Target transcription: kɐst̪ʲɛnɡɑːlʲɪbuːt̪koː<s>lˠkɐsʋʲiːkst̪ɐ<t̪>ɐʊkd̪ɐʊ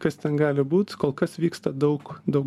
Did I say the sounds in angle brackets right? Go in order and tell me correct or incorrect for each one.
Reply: incorrect: none, incorrect: d̪

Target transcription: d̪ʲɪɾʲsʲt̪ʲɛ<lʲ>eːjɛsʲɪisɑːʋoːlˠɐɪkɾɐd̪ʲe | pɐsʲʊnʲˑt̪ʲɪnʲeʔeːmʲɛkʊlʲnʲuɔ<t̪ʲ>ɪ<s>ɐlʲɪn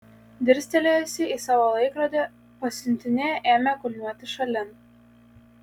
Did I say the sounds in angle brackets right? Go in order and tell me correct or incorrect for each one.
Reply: correct, correct, incorrect: ʃ

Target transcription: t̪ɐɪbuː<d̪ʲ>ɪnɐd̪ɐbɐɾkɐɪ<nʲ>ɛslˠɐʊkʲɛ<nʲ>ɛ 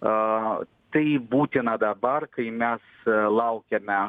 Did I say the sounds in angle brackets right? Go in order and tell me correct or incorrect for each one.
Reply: incorrect: t̪ʲ, incorrect: mʲ, incorrect: mʲ

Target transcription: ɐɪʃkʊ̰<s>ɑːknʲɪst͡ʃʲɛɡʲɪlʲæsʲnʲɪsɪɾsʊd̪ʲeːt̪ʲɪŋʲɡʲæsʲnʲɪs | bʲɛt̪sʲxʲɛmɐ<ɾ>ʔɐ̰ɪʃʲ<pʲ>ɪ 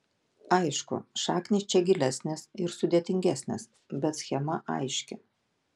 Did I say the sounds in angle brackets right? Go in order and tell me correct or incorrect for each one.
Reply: incorrect: ʃ, incorrect: none, incorrect: kʲ

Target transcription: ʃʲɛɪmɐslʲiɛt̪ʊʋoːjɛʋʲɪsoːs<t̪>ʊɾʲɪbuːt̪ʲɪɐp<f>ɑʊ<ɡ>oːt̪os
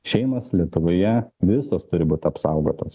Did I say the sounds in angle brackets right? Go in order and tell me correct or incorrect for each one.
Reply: correct, incorrect: s, correct

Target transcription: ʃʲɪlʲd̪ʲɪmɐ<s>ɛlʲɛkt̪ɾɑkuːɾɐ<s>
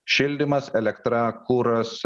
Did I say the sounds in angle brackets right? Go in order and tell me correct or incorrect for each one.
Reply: correct, correct

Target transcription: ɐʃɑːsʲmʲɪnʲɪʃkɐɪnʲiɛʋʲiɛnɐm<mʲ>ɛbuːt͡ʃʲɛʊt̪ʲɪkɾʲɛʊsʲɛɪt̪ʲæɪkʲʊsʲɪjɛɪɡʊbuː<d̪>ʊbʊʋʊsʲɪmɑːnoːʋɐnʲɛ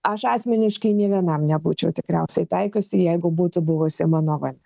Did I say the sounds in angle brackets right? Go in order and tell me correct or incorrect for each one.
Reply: incorrect: nʲ, incorrect: t̪

